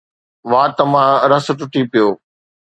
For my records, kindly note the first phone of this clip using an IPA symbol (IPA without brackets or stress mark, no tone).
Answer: ʋ